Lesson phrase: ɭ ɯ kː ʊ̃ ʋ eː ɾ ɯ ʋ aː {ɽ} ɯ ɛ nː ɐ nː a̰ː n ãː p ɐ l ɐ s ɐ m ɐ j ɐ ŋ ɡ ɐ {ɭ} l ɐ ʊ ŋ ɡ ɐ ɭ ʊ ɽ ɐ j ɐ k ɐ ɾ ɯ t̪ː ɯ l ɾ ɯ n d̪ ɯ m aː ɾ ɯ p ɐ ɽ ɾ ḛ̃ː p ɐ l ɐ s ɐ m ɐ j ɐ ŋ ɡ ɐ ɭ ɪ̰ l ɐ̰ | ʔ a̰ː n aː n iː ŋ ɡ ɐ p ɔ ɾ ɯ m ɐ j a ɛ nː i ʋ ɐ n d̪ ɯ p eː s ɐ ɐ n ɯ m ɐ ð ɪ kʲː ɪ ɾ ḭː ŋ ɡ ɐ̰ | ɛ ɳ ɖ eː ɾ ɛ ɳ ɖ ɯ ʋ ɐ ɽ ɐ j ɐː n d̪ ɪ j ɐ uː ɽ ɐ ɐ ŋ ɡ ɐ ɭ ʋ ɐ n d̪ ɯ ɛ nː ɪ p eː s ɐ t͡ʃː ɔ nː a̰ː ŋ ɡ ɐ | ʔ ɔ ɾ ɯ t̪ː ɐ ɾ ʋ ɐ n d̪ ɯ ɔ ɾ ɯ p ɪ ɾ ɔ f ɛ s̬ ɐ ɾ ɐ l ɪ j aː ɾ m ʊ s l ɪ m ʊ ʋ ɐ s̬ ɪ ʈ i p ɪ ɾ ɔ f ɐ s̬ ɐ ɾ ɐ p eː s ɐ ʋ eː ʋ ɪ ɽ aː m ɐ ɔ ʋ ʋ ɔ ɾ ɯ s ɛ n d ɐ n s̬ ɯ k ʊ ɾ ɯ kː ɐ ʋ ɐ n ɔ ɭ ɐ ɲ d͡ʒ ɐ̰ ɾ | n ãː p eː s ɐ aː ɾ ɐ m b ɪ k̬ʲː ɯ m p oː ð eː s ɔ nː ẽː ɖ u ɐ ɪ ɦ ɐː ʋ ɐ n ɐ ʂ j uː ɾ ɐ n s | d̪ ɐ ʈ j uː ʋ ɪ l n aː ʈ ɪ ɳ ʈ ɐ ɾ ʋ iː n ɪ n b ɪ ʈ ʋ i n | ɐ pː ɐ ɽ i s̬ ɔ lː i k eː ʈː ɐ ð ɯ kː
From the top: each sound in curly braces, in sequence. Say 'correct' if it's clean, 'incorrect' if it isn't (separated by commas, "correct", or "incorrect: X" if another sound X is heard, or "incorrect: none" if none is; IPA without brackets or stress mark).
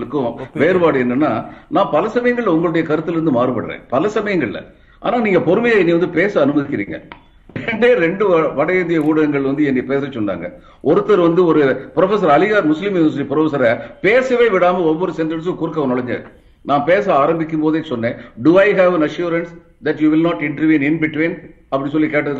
correct, correct